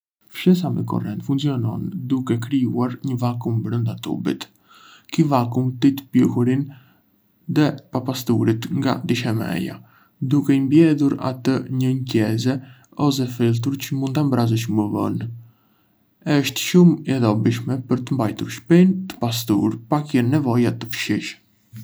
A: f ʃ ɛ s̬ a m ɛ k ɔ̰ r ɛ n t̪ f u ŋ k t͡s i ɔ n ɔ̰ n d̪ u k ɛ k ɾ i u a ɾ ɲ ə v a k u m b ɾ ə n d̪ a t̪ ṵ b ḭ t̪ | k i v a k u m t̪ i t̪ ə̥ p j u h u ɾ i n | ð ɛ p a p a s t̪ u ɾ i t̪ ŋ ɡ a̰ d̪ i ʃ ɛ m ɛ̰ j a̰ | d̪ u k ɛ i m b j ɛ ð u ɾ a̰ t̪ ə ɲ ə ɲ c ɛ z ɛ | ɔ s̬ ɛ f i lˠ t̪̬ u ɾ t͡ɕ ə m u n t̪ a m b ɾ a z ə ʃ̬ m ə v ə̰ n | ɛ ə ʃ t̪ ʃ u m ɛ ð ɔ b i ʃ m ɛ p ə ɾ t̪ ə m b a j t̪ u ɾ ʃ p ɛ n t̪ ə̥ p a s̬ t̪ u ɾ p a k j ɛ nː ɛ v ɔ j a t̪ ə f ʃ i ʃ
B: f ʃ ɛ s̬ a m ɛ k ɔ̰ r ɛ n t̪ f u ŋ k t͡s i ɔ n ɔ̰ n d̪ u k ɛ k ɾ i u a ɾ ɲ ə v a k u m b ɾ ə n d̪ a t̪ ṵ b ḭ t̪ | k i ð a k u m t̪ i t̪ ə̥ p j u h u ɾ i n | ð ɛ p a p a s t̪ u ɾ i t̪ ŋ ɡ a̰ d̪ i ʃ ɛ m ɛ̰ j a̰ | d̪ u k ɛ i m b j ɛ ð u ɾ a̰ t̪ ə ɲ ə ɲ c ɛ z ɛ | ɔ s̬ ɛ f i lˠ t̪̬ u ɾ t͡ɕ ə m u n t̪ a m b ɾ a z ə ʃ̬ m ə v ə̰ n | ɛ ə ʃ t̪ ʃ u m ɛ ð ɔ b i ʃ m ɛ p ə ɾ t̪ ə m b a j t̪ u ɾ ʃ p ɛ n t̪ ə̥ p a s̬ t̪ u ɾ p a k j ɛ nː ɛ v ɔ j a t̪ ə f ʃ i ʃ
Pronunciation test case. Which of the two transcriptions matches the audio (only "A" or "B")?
A